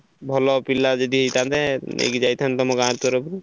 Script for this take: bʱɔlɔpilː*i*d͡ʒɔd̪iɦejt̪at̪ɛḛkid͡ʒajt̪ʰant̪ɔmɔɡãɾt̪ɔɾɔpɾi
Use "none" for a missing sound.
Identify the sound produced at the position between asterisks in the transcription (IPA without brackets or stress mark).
a